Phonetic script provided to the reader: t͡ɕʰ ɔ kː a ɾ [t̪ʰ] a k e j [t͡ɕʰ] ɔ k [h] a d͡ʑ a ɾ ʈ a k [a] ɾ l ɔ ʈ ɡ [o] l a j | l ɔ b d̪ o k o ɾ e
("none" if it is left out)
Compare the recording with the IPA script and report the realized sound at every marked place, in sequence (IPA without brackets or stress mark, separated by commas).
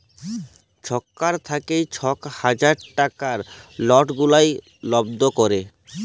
t̪ʰ, t͡ɕʰ, h, a, u